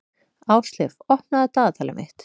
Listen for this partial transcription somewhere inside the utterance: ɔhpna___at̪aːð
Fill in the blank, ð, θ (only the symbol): ð